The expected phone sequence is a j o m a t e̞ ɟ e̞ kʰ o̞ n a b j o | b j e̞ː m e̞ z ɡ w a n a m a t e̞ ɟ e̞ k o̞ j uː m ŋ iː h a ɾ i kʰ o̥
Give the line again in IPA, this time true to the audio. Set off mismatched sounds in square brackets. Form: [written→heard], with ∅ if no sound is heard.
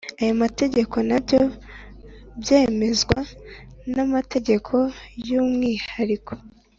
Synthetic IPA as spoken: a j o m a t e̞ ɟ e̞ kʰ o̞ n a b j o | b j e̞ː m e̞ z ɡ w a n a m a t e̞ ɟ e̞ [k→kʰ] o̞ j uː m ŋ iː h a ɾ i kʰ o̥